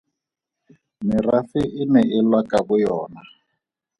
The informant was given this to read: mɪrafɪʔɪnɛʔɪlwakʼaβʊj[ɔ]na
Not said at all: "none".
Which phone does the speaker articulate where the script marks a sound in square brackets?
ɔː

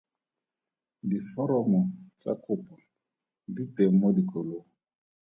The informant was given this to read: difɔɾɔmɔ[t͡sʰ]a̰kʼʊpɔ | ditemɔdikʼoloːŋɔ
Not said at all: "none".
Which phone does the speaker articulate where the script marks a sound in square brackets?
t͡s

